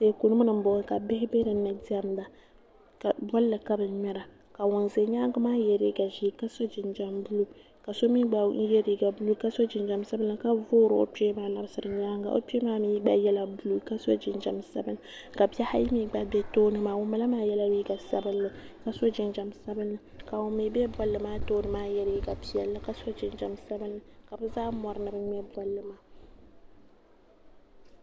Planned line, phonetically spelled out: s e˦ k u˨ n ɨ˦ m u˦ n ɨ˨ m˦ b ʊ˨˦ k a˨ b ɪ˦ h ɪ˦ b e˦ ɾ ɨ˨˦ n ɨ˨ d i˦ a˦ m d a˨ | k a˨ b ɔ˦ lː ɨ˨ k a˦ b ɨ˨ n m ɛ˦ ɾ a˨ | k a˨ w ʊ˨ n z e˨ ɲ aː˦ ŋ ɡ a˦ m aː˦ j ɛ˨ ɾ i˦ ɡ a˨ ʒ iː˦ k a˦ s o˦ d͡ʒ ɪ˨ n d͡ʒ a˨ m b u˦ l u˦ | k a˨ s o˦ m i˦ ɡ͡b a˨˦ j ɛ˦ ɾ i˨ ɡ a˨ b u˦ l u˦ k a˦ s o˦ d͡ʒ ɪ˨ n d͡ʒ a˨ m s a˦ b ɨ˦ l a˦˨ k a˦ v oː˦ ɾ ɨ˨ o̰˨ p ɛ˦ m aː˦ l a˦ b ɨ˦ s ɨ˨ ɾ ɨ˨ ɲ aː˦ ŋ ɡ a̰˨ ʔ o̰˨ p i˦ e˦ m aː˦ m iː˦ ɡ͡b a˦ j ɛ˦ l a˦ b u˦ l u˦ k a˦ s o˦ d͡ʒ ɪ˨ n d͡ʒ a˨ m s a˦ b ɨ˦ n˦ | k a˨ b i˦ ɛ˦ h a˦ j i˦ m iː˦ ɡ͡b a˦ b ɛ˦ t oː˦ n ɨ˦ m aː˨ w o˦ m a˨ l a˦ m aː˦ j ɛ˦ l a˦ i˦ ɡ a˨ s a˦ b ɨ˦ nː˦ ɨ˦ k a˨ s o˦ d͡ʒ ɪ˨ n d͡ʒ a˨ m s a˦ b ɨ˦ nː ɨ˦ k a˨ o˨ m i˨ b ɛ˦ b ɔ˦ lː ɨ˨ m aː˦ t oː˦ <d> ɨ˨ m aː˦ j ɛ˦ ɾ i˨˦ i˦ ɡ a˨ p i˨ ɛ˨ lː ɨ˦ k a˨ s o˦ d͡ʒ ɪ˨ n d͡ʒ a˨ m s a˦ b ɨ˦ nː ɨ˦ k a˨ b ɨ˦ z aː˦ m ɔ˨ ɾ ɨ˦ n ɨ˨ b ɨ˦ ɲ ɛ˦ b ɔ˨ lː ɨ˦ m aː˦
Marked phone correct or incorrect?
incorrect